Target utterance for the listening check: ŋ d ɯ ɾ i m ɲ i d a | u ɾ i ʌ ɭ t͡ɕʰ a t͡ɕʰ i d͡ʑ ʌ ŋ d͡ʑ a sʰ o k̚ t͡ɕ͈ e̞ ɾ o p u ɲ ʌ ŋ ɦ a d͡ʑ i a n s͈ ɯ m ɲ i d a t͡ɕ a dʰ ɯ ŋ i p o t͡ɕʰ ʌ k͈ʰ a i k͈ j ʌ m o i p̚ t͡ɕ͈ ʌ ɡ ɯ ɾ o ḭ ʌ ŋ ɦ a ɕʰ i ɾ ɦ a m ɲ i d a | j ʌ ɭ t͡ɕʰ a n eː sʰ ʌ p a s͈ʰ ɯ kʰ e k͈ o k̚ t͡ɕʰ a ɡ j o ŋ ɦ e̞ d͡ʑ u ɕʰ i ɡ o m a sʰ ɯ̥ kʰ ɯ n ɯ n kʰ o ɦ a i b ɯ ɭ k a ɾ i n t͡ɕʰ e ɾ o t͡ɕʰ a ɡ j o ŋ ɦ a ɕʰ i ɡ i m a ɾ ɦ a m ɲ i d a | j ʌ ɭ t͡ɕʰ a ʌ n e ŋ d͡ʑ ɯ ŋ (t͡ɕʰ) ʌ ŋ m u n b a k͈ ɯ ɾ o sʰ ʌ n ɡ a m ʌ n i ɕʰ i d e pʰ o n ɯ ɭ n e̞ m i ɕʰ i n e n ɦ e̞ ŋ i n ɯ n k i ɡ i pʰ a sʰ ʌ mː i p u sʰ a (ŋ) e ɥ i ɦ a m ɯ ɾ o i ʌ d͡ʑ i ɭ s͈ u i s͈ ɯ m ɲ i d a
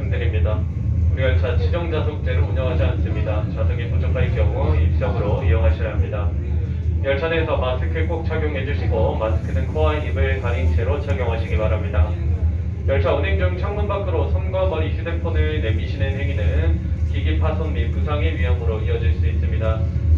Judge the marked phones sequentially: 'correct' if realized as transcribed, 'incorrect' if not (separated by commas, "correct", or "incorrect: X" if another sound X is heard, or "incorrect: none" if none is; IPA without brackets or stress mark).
correct, correct